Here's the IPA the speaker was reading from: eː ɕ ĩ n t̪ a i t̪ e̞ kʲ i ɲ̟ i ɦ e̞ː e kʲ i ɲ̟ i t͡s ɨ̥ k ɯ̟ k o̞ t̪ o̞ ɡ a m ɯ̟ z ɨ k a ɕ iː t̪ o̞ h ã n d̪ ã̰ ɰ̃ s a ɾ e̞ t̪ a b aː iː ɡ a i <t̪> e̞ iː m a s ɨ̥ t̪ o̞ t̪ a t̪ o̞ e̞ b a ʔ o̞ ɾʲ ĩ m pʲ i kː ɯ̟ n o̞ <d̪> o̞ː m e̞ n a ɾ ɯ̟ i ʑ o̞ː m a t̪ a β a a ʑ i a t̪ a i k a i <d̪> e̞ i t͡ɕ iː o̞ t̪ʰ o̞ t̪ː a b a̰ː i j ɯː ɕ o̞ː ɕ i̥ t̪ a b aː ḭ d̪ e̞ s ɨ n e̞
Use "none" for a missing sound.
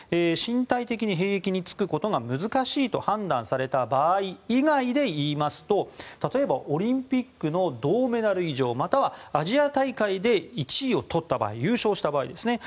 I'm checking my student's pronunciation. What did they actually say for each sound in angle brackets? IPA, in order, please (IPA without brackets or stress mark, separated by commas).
d̪, d̪, d̪